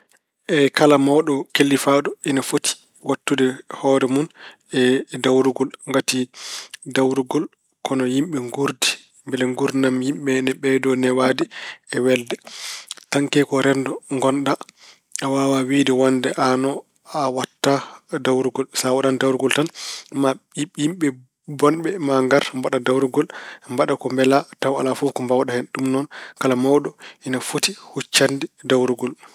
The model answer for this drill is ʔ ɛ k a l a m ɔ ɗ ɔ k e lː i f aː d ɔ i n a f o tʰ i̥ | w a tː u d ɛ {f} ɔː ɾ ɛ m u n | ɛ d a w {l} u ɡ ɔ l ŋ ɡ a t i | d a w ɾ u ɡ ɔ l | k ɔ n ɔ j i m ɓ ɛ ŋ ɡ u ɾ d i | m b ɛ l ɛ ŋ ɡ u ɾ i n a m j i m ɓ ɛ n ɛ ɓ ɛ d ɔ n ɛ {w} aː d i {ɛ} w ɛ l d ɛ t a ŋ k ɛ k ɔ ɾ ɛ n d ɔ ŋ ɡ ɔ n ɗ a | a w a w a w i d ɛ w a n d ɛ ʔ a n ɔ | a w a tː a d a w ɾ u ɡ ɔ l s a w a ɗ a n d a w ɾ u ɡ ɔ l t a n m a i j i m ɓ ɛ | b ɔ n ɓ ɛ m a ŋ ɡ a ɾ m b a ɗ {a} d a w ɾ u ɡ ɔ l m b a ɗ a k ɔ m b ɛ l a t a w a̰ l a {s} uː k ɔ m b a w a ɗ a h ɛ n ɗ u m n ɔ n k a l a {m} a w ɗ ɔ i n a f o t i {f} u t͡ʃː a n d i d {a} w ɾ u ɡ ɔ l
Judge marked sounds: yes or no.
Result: no, no, yes, yes, yes, no, yes, no, yes

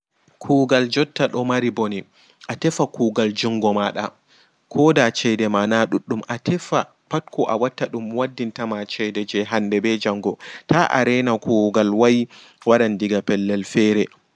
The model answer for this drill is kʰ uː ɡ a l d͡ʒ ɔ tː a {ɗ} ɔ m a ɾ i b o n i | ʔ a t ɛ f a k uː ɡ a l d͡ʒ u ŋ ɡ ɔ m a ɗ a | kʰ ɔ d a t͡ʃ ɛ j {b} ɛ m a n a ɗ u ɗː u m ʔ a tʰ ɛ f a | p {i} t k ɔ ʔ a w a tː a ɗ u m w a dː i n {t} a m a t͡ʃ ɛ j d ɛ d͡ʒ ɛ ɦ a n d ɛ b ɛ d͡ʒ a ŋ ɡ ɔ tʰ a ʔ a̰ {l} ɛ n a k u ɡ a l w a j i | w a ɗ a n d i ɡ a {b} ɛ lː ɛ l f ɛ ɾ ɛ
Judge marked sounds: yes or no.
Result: yes, no, no, yes, no, no

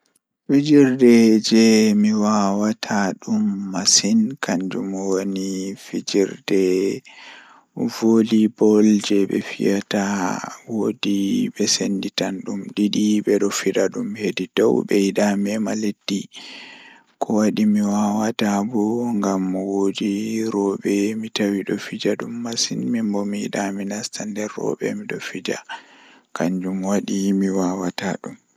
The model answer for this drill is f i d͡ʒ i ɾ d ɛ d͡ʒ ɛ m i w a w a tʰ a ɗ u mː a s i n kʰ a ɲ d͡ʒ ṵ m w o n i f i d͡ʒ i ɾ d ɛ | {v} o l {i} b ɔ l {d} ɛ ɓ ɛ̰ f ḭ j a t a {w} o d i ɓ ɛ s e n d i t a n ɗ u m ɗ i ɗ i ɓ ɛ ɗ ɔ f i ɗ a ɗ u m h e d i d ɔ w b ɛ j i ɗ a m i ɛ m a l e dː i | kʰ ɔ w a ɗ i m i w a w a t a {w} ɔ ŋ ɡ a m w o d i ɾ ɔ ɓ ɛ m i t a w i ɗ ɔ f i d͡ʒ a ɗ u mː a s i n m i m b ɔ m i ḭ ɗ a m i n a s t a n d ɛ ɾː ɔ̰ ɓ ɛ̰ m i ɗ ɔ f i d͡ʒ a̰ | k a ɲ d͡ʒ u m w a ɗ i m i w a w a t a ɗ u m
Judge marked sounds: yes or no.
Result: yes, yes, no, yes, no

